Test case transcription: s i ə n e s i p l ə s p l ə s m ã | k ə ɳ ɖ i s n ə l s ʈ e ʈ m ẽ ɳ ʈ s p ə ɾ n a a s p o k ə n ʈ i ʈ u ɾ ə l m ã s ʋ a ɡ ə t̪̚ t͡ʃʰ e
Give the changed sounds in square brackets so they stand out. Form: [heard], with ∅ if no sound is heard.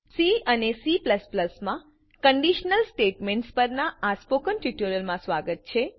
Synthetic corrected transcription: s i ə n e s i p l ə s p l ə s m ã | k ə ɳ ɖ i [ʃ] n ə l s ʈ e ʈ m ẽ ɳ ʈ s p ə ɾ n a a s p o k ə n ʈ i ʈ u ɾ ə l m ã s ʋ a ɡ ə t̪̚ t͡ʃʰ e